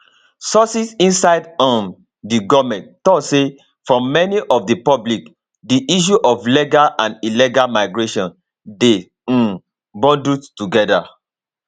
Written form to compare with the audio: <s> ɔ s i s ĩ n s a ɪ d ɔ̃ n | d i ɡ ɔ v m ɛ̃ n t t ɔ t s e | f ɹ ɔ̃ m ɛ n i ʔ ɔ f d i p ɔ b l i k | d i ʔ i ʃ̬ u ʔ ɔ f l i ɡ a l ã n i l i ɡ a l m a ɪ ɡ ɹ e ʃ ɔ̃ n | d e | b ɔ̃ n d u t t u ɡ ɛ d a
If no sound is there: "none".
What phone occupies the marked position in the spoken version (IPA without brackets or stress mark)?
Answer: s